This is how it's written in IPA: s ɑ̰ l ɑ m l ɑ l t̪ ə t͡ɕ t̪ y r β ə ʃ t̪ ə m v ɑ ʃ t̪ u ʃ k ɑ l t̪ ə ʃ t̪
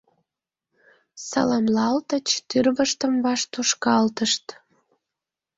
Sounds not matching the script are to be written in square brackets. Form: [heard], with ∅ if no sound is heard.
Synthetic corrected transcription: s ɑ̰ l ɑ m l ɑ l t̪ ə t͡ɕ t̪ y r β ə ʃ t̪ ə m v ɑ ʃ t̪ u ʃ k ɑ l t̪ ə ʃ t̪